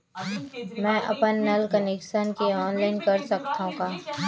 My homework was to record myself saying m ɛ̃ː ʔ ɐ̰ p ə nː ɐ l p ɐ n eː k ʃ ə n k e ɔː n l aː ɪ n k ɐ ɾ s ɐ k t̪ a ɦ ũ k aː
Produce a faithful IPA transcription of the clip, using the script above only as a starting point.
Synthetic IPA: m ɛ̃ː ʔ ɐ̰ p ə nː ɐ l k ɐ n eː k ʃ ə n k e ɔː n l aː ɪ n k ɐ ɾ s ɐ k t̪ a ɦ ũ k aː